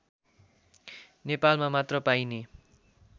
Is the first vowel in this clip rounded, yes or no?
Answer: no